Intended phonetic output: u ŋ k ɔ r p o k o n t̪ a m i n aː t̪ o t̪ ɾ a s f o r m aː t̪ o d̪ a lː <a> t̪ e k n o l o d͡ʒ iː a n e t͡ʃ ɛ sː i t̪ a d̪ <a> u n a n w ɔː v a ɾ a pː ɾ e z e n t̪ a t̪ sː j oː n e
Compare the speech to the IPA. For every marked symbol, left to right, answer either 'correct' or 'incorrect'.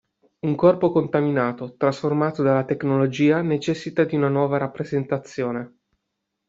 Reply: correct, incorrect: i

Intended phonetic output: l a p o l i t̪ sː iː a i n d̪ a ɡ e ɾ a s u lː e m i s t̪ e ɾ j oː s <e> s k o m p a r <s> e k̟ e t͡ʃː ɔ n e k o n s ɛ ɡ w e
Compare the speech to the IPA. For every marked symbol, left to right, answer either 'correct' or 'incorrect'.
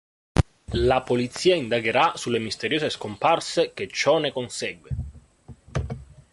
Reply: correct, correct

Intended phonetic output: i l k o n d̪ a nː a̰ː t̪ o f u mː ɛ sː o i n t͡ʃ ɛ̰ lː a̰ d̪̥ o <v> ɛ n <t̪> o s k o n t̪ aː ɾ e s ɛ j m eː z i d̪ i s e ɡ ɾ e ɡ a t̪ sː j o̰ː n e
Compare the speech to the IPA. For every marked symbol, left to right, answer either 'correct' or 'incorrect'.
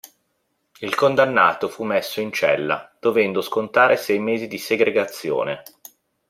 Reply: correct, incorrect: d̪

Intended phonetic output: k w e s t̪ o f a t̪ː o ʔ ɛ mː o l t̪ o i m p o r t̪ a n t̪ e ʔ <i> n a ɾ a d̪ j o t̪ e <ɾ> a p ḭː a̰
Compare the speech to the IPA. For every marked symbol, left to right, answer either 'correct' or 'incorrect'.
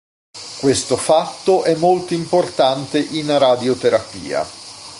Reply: correct, correct

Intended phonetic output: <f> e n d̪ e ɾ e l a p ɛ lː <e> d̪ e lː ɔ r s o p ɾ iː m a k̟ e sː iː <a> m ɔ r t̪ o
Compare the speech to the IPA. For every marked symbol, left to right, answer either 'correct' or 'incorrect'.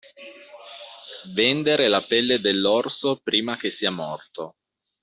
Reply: incorrect: v, correct, correct

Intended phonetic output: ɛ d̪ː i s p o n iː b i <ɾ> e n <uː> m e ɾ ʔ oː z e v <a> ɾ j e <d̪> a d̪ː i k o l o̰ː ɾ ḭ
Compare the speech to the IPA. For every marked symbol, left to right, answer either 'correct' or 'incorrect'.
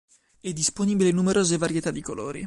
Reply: incorrect: l, incorrect: u, correct, incorrect: t̪

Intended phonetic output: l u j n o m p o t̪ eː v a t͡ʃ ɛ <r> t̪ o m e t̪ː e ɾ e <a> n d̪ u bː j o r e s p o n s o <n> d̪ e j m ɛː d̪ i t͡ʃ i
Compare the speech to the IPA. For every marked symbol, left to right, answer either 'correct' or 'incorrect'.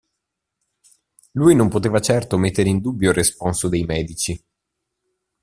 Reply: correct, incorrect: i, incorrect: none

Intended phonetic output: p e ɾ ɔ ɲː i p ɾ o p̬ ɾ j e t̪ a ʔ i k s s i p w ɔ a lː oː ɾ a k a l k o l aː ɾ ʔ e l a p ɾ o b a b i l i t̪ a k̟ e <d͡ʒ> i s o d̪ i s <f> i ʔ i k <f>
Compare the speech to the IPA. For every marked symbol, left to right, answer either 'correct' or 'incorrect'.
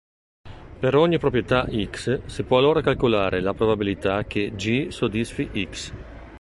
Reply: correct, correct, incorrect: s

